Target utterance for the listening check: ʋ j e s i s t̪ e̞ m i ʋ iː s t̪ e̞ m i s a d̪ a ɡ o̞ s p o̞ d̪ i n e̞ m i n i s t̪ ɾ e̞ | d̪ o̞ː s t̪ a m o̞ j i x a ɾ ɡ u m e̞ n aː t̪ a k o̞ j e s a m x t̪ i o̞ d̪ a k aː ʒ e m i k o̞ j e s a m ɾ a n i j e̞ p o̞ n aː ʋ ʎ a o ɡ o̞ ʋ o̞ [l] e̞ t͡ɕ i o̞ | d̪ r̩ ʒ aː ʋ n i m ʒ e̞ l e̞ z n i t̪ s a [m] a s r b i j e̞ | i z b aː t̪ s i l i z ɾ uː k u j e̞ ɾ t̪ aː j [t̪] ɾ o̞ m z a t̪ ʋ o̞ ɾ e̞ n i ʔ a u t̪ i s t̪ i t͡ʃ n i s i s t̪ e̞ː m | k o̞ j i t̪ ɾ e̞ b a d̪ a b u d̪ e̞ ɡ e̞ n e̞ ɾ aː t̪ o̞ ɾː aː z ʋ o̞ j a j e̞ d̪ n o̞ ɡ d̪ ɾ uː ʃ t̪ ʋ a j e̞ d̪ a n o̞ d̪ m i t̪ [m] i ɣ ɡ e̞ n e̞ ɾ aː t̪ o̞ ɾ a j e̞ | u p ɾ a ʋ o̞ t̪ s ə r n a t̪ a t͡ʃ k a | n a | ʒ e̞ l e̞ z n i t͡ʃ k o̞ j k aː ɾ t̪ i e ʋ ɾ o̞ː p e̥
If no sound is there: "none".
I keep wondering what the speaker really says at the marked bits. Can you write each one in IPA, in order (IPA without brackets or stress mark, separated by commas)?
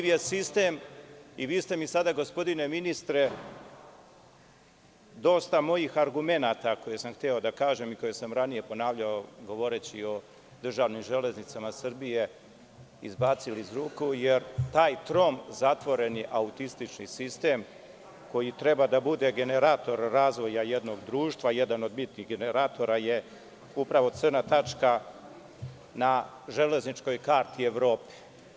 ɾ, m, t̪, n